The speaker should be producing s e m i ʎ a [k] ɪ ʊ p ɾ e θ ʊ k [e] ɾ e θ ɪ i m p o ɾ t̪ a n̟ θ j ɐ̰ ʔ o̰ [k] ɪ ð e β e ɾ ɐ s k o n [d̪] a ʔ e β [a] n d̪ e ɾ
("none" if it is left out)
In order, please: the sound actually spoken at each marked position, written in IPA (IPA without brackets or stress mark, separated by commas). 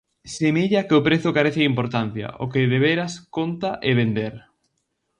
k, a, k, t̪, e